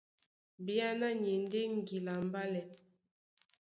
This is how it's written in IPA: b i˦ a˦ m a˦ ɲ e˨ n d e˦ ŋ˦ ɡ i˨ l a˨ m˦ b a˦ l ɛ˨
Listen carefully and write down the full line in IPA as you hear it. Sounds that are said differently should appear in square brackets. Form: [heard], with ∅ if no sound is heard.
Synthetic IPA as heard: b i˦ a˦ [n] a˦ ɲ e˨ n d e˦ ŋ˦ ɡ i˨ l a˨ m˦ b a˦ l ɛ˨